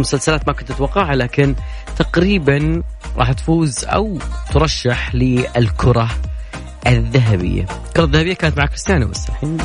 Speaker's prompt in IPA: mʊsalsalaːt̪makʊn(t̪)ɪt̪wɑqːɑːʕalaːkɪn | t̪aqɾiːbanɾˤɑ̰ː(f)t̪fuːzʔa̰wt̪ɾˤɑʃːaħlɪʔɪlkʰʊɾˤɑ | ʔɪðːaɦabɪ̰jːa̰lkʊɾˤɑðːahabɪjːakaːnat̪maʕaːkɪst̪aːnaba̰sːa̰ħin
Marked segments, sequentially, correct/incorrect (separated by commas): correct, incorrect